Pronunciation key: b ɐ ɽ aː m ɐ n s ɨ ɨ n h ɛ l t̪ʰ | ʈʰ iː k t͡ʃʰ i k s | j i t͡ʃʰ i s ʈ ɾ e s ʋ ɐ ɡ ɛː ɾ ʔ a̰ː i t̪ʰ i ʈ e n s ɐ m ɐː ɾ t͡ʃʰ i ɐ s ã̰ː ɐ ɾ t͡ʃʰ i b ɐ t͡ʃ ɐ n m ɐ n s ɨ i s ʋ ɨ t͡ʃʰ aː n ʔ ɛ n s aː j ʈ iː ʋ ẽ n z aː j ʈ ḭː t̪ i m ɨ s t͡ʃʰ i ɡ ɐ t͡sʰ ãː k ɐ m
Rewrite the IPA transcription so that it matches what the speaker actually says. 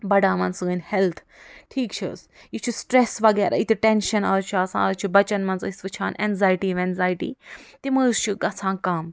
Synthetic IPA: b ɐ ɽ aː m ɐ n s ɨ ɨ n h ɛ l t̪ʰ | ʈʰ iː k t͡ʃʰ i s | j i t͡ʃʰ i s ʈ ɾ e s ʋ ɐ ɡ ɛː ɾ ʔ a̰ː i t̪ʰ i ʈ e n ʃ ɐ n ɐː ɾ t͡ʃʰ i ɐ s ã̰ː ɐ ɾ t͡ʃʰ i b ɐ t͡ʃ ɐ n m ɐ n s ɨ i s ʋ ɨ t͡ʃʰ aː n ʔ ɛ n z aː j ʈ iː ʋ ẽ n z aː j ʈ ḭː t̪ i m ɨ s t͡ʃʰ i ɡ ɐ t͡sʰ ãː k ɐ m

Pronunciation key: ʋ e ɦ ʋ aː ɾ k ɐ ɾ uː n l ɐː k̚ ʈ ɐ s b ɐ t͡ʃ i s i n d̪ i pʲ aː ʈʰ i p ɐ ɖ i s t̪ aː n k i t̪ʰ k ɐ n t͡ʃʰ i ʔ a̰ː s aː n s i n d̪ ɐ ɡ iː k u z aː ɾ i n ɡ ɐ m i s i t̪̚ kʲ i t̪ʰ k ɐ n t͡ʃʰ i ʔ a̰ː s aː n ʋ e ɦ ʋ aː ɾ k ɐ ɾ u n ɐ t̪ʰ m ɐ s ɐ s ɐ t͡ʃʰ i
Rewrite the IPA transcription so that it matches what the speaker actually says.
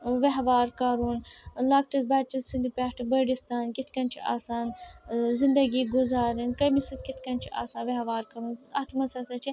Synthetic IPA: ʋ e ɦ ʋ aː ɾ k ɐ ɾ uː n l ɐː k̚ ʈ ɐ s b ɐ t͡ʃ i s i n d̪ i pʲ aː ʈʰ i b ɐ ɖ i s t̪ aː n k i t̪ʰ k ɐ n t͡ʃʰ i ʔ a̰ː s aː n z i n d̪ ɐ ɡ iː ɡ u z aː ɾ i n k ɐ m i s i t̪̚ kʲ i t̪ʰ k ɐ n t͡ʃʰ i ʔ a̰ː s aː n ʋ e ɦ ʋ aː ɾ k ɐ ɾ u n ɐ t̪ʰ m ɐ s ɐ s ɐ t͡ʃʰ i

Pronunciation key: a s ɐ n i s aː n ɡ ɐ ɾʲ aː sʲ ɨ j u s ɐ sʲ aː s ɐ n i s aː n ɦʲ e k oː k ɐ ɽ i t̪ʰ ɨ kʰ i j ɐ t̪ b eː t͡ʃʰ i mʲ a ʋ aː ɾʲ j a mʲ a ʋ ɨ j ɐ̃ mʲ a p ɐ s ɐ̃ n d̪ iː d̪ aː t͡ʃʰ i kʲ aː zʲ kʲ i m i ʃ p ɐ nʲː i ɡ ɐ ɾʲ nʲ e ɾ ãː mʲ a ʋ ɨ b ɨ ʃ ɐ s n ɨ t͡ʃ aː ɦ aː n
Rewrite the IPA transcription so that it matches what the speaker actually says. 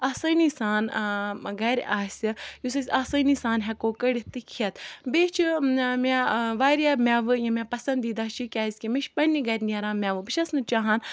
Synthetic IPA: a s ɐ n i s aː n ɡ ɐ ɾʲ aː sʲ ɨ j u s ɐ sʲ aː s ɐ n i s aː n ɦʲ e k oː k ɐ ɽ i t̪ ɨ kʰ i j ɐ t̪ b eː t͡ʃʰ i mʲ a ʋ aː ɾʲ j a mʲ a ʋ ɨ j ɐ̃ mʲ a p ɐ s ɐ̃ n d̪ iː d̪ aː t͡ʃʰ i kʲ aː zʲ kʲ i m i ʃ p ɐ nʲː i ɡ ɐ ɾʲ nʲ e ɾ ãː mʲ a ʋ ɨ b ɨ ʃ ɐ s n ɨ t͡ʃ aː ɦ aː n

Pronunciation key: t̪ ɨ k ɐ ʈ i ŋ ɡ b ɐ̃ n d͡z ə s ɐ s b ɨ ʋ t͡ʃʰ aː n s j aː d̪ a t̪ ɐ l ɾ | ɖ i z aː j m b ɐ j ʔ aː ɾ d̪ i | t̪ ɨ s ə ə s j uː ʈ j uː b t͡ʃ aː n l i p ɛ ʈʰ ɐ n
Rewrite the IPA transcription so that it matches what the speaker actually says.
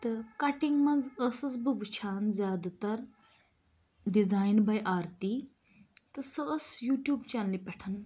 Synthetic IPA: t̪ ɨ k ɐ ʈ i ŋ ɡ m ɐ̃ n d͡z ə s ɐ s b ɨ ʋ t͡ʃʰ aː n z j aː d̪ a t̪ ɐ ɾ | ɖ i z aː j n b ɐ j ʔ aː ɾ t̪ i | t̪ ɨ s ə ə s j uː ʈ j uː b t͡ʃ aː n l i p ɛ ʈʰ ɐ n

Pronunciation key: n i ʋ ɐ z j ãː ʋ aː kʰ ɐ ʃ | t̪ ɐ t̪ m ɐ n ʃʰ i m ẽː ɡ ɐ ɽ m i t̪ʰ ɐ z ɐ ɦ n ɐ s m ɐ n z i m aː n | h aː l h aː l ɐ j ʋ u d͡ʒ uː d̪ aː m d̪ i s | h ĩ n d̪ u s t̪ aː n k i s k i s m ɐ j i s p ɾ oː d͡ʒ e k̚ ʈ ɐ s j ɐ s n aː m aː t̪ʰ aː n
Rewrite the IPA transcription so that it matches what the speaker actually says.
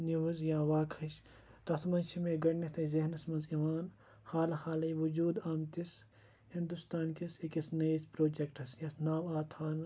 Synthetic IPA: n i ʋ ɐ z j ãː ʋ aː kʰ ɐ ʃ | t̪ ɐ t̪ m ɐ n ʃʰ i m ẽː ɡ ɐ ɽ n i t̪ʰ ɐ z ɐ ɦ n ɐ s m ɐ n z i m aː n | h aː l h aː l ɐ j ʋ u d͡ʒ uː d̪ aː m t̪ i s | h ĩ n d̪ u s t̪ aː n k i s k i s n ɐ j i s p ɾ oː d͡ʒ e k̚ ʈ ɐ s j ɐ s n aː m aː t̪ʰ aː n

